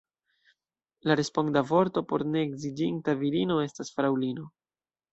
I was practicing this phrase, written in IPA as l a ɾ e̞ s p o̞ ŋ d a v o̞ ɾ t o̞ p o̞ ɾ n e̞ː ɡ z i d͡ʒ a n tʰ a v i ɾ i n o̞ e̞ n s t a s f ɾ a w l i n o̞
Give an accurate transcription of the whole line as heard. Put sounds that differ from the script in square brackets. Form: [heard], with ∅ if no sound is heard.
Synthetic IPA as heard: l a ɾ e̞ s p o̞ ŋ d a v o̞ ɾ t o̞ p o̞ ɾ n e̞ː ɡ z i d͡ʒ [i] n [t] a v i ɾ i n o̞ e̞ [∅] s t a s f ɾ a w l i n o̞